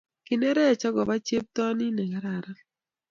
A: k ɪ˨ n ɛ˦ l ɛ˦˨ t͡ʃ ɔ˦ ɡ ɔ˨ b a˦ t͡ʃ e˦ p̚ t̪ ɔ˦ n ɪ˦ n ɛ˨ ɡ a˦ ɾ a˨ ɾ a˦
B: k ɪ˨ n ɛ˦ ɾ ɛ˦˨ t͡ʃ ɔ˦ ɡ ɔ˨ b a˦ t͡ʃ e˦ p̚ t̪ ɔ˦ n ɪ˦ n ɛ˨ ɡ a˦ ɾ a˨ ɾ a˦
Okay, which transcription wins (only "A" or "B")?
B